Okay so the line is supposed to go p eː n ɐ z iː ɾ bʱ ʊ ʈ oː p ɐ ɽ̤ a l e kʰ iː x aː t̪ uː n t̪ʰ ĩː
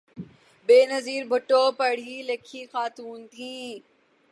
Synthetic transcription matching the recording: b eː n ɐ z iː ɾ bʱ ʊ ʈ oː p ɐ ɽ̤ i l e kʰ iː x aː t̪ uː n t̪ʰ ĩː